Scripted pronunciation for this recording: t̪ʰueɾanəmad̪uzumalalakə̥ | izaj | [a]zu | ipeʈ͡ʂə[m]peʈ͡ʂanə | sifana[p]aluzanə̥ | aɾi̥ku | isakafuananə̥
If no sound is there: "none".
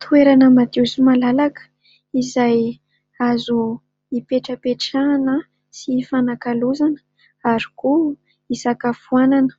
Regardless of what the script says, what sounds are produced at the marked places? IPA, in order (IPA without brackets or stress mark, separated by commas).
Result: a, none, k